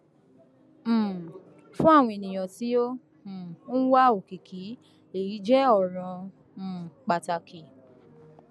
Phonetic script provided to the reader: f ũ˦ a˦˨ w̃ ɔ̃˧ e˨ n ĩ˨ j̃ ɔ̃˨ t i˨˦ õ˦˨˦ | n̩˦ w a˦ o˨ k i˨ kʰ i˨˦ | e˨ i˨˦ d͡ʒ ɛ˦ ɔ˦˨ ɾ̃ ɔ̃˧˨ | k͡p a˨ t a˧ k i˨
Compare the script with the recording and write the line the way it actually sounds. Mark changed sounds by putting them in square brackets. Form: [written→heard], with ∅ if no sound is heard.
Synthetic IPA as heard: f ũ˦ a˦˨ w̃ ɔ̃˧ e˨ n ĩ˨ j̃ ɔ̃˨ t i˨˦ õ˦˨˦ | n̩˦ w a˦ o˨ k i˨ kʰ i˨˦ | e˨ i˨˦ d͡ʒ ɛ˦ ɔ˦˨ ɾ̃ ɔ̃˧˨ | k͡p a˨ t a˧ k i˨